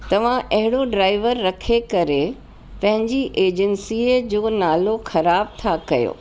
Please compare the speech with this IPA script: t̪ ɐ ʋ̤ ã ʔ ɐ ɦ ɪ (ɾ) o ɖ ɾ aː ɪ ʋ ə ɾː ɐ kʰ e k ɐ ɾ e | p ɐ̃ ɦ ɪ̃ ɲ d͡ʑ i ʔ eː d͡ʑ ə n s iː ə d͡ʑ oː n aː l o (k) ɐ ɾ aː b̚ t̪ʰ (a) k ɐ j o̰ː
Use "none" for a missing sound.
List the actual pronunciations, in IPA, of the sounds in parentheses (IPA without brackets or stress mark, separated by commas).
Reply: ɽ, x, a